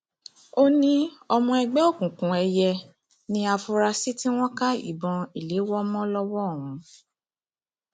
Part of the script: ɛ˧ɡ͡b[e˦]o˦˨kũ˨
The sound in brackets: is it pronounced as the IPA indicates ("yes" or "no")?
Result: no